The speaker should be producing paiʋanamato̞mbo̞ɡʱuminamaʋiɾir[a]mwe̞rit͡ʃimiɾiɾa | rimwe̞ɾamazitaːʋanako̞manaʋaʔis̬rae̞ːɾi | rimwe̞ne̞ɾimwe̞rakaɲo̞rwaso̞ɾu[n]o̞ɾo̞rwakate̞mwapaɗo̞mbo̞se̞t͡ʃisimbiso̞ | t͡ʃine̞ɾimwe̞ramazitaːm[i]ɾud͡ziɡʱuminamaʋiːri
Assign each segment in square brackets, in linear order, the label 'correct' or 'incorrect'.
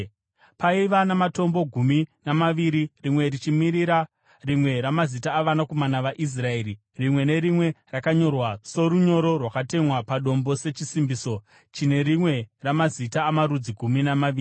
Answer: incorrect, incorrect, incorrect

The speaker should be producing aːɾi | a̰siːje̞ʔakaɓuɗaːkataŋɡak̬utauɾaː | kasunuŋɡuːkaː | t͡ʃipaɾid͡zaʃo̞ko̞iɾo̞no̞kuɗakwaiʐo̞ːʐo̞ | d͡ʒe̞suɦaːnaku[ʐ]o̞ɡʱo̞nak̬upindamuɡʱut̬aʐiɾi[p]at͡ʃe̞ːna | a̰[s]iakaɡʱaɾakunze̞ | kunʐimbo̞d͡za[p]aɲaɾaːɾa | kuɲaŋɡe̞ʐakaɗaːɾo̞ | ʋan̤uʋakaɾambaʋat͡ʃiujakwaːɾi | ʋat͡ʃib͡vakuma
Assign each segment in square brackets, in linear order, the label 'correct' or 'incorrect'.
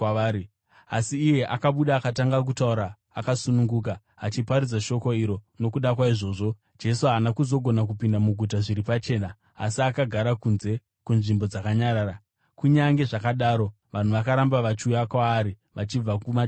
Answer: incorrect, correct, correct, incorrect

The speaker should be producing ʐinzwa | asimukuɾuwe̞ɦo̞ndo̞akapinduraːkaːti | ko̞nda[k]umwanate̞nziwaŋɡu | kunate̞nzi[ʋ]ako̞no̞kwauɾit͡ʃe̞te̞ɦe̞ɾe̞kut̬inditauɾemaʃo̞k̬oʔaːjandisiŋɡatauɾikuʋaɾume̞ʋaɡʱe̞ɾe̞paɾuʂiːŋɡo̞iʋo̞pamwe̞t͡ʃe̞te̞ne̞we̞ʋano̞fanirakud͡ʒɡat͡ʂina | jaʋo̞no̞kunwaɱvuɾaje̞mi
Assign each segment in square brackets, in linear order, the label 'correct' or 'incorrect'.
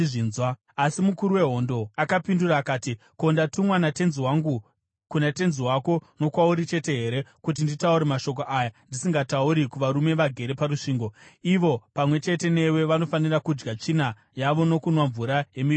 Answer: incorrect, incorrect

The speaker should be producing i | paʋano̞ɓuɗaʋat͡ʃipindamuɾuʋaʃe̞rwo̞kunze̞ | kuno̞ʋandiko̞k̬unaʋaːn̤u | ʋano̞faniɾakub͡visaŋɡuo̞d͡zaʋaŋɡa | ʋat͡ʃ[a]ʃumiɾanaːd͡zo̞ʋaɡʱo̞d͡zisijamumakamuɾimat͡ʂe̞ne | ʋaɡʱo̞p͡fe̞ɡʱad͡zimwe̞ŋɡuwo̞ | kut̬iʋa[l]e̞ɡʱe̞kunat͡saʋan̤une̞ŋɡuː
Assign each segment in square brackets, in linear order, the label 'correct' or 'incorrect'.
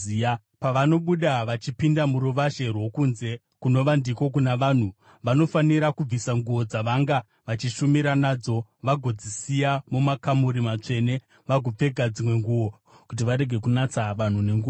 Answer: incorrect, incorrect

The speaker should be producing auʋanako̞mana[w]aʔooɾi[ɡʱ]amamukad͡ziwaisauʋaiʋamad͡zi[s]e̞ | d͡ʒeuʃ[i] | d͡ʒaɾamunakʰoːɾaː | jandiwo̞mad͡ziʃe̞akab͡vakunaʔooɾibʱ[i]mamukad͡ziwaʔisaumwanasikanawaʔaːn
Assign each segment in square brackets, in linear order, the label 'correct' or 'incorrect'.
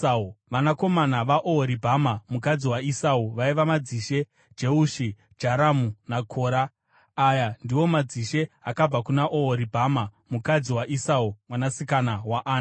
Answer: incorrect, incorrect, incorrect, correct, incorrect

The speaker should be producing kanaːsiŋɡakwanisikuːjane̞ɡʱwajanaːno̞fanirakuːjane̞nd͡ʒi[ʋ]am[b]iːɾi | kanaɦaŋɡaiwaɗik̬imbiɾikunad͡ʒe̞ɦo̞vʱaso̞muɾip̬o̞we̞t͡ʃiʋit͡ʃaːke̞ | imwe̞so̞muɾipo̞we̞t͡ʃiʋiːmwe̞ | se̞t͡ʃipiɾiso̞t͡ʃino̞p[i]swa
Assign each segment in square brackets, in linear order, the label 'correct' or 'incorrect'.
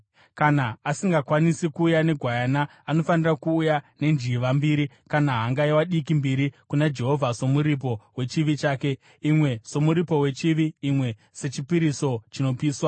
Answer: correct, correct, incorrect

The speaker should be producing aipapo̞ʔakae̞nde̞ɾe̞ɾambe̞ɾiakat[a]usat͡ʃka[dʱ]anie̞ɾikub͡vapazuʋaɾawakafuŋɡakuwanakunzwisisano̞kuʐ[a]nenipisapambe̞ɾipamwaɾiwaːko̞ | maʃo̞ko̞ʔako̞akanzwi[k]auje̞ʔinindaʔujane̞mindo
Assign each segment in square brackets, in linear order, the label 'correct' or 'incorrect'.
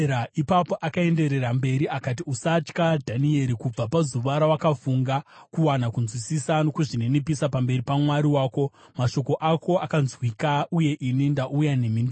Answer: incorrect, correct, incorrect, correct

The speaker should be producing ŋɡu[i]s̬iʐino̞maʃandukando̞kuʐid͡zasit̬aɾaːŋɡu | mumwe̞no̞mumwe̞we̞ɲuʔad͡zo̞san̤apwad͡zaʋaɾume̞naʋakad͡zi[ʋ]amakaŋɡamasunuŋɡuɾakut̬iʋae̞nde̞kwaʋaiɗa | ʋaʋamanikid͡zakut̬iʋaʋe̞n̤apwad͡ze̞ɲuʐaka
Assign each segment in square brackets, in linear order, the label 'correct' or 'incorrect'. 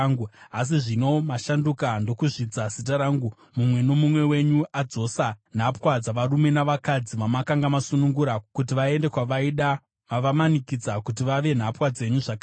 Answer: incorrect, correct

